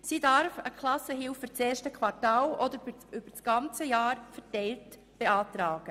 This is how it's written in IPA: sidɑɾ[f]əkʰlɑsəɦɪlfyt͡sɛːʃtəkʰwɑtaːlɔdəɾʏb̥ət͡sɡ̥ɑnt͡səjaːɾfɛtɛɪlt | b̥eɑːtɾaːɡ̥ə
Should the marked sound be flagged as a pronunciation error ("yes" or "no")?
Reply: no